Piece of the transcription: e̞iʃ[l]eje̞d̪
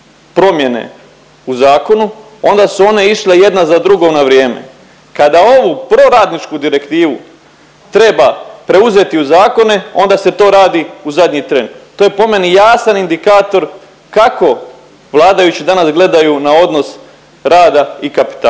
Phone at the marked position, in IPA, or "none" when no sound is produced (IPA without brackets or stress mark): l